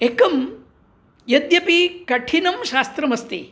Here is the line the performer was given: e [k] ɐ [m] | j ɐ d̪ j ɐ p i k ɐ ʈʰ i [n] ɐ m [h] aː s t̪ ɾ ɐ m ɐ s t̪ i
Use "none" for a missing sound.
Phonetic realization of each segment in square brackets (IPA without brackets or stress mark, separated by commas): k, m, n, ʃ